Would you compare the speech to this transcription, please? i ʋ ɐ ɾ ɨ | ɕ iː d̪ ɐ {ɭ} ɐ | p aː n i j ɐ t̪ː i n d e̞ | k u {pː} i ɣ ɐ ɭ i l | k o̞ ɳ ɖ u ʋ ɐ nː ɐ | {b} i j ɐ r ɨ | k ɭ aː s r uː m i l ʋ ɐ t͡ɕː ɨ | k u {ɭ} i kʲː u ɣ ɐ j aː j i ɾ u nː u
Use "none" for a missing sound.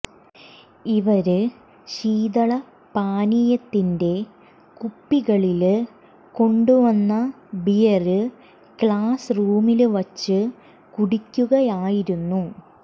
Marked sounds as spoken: ɭ, pː, b, ɽ

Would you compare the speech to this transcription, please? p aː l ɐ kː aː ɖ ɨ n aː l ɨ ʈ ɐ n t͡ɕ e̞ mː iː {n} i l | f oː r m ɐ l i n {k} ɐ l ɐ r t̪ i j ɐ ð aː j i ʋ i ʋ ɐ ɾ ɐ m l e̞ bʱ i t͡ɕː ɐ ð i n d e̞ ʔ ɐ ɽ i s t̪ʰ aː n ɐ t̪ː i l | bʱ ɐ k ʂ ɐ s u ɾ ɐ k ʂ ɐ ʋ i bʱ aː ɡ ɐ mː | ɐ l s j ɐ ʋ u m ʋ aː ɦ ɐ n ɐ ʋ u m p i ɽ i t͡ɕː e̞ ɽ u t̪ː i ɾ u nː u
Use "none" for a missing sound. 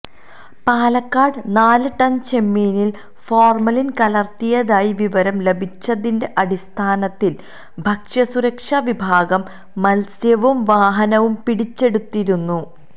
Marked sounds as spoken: n, k

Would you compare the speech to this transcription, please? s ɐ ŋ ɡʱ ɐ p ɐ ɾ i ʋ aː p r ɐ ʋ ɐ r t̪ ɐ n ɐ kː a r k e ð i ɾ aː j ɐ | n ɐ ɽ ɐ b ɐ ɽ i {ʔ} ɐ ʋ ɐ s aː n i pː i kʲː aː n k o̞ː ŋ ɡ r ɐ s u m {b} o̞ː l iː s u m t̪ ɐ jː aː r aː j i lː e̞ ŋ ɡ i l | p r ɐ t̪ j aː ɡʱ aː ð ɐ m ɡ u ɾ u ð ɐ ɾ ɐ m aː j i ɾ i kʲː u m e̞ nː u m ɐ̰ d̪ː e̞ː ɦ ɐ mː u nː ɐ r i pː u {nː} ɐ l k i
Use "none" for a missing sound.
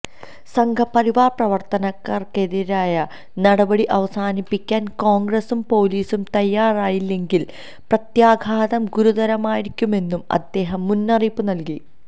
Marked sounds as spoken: ʔ, p, n

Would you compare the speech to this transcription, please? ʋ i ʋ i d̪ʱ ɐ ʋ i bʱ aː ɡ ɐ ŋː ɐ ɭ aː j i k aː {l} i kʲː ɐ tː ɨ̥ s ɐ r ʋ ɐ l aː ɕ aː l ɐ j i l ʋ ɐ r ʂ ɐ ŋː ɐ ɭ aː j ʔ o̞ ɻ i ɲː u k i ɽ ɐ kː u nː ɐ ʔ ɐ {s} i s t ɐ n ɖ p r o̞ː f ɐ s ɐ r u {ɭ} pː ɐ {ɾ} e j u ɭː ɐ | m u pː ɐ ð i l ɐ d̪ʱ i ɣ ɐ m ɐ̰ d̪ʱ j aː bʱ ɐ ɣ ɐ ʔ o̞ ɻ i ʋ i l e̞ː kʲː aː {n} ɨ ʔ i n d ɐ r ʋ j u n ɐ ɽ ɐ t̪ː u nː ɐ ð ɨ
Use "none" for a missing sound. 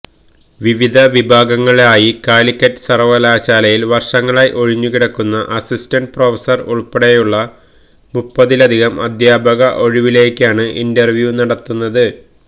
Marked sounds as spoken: l, s, ɭ, ɽ, ɳ

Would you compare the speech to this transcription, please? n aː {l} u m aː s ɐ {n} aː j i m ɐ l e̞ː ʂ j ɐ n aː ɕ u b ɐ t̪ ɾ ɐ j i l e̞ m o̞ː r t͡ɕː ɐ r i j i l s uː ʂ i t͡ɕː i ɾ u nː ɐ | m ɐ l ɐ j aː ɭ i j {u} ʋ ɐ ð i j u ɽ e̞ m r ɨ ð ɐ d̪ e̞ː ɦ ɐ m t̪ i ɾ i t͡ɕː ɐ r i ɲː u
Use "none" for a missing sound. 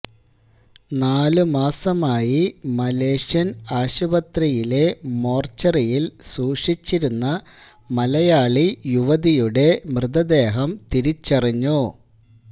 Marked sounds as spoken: l, m, u

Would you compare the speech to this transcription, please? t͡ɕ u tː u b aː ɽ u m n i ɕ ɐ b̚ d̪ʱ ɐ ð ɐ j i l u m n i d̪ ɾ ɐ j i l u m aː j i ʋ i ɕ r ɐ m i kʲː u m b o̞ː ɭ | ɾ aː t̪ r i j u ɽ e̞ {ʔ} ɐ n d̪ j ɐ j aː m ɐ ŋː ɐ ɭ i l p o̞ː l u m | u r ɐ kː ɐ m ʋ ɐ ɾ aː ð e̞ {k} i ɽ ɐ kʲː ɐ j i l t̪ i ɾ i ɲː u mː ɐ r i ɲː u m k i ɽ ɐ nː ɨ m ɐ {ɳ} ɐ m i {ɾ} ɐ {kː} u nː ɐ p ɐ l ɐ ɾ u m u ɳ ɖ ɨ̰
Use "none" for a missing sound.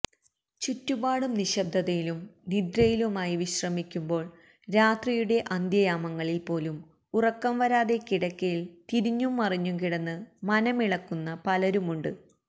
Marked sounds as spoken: ʔ, k, n, ɭ, kː

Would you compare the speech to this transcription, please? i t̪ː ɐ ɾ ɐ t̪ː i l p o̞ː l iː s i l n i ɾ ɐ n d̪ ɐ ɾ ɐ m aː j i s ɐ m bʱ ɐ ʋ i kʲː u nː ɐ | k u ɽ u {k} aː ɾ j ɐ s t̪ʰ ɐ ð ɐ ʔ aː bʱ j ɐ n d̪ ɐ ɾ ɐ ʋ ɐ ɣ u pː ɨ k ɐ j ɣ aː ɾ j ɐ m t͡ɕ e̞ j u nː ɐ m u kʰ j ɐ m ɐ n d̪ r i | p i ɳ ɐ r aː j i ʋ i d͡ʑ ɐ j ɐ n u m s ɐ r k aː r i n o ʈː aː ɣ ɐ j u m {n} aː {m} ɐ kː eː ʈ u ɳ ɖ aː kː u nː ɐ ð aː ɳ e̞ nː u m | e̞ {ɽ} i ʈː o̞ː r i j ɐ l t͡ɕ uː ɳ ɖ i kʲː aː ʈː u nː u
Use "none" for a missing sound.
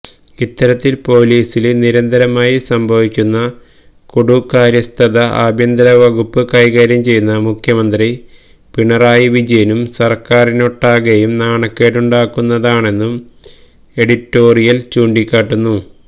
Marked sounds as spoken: k, n, ɳ, ɽ

